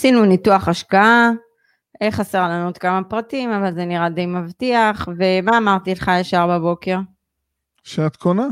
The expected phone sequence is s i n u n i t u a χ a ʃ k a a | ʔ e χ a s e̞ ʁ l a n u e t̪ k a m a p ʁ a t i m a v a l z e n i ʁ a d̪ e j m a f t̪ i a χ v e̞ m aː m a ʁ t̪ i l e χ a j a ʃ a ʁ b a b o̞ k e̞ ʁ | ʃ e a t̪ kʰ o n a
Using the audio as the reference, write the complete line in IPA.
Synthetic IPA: s i n u n i t u a χ a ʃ k a a | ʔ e χ a s e̞ ʁ l a n u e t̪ k a m a p ʁ a t i m a v a l z e n i ʁ a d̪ e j m a v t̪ i a χ v e̞ m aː m a ʁ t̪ i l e χ a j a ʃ a ʁ b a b o̞ k e̞ ʁ | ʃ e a t̪ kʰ o n a